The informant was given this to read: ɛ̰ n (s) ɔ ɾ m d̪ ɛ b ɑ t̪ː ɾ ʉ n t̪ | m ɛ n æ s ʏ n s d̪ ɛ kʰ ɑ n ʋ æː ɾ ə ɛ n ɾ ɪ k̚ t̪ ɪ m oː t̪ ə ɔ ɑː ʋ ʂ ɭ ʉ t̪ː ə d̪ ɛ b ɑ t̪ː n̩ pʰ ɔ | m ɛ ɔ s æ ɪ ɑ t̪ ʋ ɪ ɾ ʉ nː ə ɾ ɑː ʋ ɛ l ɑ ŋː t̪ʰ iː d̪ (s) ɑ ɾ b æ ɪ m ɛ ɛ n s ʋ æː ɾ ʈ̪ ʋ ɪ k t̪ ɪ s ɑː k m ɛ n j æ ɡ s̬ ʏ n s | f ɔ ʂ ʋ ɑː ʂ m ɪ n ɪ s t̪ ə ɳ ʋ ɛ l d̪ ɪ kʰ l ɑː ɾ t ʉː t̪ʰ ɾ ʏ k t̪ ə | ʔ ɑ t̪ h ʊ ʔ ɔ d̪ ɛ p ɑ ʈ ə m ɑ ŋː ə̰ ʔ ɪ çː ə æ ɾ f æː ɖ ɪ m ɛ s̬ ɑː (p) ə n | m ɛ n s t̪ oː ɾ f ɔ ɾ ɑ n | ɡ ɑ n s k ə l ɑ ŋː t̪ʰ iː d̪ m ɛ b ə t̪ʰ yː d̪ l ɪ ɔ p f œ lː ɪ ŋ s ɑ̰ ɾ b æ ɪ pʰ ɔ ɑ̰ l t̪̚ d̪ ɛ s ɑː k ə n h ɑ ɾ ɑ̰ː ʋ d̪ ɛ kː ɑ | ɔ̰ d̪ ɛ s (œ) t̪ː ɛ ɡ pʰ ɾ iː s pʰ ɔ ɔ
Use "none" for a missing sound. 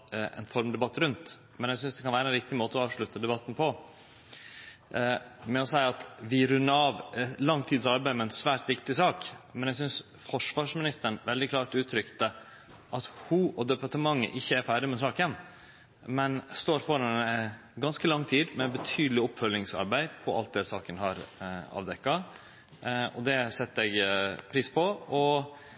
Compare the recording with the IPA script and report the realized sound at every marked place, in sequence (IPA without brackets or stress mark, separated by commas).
f, s, k, ɛ